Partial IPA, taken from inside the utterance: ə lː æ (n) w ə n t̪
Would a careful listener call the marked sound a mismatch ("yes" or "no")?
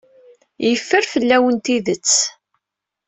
yes